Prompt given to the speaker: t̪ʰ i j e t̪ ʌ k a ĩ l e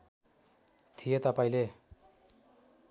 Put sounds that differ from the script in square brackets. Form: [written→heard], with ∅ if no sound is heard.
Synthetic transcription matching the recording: t̪ʰ i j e t̪ ʌ [k→p] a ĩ l e